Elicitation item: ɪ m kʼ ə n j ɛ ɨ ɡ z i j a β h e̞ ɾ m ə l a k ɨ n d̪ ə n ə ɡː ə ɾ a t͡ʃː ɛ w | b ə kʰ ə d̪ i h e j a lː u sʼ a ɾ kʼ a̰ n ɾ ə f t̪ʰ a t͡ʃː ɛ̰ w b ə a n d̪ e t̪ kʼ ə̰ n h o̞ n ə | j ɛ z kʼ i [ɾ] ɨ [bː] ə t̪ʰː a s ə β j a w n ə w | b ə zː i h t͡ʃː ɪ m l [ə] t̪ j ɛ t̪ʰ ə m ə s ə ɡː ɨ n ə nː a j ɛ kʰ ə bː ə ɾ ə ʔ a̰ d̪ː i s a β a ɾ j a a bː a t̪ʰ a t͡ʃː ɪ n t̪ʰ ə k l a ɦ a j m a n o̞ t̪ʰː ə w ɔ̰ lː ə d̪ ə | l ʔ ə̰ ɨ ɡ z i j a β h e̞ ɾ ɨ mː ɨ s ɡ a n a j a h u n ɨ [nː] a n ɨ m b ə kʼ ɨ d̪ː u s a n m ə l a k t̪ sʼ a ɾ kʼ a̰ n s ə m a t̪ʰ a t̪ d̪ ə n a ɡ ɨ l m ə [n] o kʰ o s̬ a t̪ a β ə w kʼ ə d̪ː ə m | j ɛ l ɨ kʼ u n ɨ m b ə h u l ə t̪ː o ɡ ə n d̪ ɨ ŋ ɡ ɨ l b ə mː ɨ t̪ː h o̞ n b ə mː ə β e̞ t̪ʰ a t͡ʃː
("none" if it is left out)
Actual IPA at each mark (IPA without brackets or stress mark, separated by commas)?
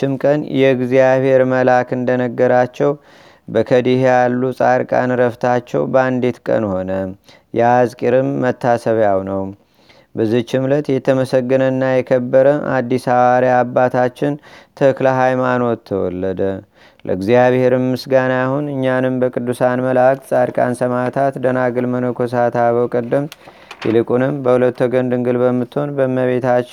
ɾ, mː, ə, ɲː, n